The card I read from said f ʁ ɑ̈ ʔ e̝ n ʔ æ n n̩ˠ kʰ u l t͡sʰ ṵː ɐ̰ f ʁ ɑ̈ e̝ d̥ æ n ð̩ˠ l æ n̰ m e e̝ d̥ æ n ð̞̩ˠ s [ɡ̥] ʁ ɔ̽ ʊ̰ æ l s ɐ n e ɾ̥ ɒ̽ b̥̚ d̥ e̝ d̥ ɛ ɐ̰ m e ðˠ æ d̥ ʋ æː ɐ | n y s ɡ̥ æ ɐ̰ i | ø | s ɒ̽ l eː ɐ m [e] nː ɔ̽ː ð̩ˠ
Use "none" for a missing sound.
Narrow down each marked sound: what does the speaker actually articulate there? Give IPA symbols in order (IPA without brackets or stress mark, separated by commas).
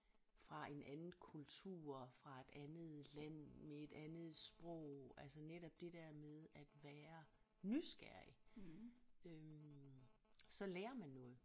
b̥, æ